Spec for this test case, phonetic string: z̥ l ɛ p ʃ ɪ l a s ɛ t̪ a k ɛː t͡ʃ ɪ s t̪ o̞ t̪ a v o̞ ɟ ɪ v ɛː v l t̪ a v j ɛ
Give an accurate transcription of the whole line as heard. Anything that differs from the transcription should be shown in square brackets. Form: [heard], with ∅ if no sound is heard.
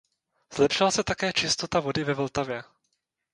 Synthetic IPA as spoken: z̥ l ɛ p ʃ ɪ l a s ɛ t̪ a k ɛː t͡ʃ ɪ s t̪ o̞ t̪ a v o̞ [d] ɪ v [ɛ] v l t̪ a v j ɛ